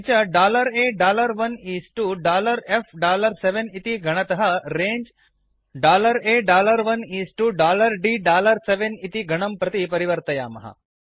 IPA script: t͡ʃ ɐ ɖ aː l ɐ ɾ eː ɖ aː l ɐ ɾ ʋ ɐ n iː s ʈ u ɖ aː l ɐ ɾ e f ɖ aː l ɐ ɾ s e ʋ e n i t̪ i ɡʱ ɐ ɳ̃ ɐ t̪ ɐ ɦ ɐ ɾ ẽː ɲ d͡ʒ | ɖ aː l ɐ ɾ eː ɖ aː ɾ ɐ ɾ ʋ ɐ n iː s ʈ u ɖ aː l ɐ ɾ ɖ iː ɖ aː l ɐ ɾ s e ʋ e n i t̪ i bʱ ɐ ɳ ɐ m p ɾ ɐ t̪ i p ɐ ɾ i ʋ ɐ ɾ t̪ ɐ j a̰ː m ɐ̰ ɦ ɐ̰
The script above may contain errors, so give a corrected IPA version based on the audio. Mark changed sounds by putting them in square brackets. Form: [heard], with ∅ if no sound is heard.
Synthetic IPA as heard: t͡ʃ ɐ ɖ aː l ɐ ɾ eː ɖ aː l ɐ ɾ ʋ ɐ n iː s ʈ u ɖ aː l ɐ ɾ e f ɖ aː l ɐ ɾ s e ʋ e n i t̪ i ɡʱ ɐ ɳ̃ ɐ t̪ ɐ ɦ ɐ ɾ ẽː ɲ d͡ʒ | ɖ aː l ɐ ɾ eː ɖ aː [l] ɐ ɾ ʋ ɐ n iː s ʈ u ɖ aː l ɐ ɾ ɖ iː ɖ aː l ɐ ɾ s e ʋ e n i t̪ i [ɡʱ] ɐ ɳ ɐ m p ɾ ɐ t̪ i p ɐ ɾ i ʋ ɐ ɾ t̪ ɐ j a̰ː m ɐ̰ ɦ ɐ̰

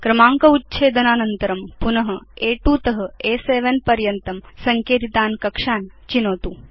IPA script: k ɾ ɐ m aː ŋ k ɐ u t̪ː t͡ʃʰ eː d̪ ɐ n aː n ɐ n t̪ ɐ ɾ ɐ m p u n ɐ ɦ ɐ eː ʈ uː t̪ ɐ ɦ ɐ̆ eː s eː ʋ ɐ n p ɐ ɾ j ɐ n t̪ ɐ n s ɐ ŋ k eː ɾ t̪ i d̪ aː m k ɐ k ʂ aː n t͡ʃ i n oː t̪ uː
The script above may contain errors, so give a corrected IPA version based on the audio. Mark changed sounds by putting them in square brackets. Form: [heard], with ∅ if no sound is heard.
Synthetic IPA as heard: k ɾ ɐ m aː ŋ k ɐ u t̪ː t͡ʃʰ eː d̪ ɐ n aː n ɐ n t̪ ɐ ɾ ɐ m p u n ɐ ɦ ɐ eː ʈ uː t̪ ɐ ɦ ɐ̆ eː s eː ʋ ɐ n p ɐ ɾ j ɐ n t̪ ɐ [m] s ɐ ŋ k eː [∅] t̪ i [t̪] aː [n] k ɐ k ʂ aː n t͡ʃ i n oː t̪ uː

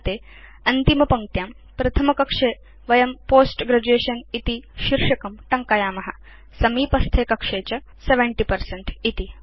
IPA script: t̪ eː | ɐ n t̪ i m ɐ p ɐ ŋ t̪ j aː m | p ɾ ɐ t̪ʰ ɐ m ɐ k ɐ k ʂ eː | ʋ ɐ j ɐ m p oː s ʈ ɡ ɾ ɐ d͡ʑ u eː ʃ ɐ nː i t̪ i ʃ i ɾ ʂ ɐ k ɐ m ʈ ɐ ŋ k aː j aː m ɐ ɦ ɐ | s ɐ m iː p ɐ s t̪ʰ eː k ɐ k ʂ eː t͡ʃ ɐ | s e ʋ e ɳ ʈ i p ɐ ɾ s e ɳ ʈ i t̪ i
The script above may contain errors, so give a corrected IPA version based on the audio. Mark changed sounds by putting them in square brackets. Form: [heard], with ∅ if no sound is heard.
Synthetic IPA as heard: t̪ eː | ɐ n t̪ i m ɐ p ɐ ŋ t̪ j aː m | p ɾ ɐ t̪ʰ ɐ m ɐ k ɐ k ʂ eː | ʋ ɐ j ɐ m p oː s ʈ ɡ ɾ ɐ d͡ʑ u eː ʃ ɐ [n] i t̪ i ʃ i ɾ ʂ ɐ k ɐ m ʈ ɐ ŋ k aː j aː m ɐ ɦ ɐ | s ɐ m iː p ɐ s t̪ʰ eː k ɐ k ʂ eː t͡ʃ ɐ | s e ʋ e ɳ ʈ i p ɐ ɾ s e ɳ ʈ i t̪ i

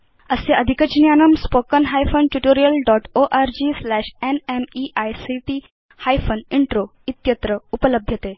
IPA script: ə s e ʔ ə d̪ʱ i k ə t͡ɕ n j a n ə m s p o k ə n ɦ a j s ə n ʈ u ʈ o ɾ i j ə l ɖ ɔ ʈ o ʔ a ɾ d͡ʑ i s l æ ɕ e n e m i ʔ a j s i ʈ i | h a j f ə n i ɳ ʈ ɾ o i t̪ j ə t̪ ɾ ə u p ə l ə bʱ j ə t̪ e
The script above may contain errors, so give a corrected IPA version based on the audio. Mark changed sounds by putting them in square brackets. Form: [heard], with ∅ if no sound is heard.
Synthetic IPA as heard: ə s e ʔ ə d̪ʱ i k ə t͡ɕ n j a n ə m s p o k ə n ɦ a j [f] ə n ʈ u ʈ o ɾ i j ə l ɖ ɔ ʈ o ʔ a ɾ d͡ʑ i s l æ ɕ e n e m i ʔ a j s i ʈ i | h a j f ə n i ɳ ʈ ɾ o i t̪ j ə t̪ ɾ ə u p ə l ə bʱ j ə t̪ e

